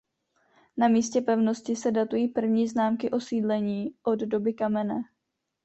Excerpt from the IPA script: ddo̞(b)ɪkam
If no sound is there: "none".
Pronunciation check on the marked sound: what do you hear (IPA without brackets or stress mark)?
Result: b